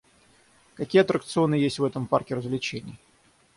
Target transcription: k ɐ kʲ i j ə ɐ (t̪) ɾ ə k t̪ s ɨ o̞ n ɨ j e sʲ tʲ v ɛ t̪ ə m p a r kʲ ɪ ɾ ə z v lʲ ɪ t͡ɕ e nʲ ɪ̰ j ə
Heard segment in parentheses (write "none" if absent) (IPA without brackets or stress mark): t̪